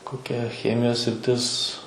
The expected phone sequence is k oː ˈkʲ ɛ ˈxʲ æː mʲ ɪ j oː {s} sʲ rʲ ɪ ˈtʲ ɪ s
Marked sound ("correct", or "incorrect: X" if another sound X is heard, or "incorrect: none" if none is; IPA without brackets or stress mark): correct